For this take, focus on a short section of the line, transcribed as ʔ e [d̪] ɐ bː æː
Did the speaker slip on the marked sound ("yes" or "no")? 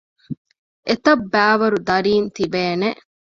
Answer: yes